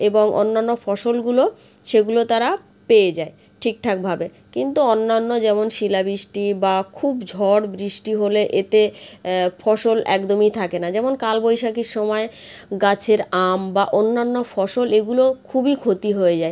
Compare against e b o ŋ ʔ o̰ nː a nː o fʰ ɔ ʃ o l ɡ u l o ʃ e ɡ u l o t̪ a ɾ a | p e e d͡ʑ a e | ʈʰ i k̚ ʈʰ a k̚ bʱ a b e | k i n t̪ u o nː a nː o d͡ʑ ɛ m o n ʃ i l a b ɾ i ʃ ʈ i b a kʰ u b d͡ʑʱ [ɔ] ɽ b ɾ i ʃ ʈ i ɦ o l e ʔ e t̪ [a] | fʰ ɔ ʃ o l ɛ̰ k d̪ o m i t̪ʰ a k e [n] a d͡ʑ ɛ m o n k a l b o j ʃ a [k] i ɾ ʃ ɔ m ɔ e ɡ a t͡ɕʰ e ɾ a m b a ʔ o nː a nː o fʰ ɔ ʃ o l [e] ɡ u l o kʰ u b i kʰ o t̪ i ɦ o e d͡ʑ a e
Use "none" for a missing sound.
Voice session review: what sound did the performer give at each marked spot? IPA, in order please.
ɔ, e, n, k, e

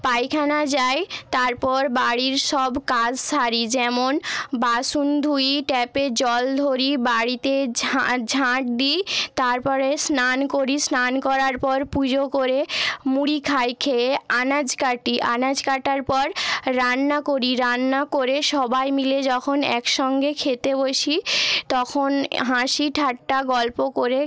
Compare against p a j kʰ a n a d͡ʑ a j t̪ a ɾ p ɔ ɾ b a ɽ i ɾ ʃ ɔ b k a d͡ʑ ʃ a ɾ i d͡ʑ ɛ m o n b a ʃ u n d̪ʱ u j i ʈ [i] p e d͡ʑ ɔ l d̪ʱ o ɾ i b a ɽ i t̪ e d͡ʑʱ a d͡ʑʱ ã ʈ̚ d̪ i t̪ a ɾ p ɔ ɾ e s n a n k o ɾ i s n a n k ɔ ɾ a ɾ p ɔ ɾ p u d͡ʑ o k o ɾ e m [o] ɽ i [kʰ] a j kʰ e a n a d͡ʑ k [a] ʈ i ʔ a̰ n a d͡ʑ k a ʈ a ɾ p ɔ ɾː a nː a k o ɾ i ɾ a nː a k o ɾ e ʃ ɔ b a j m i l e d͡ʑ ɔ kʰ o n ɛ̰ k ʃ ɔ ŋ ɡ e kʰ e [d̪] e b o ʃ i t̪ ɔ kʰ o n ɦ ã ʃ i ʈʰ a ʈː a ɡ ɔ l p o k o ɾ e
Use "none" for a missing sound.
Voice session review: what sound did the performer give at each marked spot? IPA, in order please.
ɛ, u, kʰ, a, t̪

